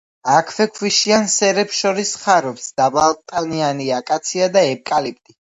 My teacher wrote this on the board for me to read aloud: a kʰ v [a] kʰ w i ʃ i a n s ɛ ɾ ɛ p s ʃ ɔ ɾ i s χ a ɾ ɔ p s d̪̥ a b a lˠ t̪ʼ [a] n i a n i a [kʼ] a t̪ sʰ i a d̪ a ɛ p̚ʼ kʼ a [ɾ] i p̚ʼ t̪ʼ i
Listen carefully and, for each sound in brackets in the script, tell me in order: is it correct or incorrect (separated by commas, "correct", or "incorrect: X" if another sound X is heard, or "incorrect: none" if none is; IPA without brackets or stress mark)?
incorrect: ɛ, correct, correct, incorrect: l